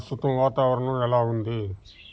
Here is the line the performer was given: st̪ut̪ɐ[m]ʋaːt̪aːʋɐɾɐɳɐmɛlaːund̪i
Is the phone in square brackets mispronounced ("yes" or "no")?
no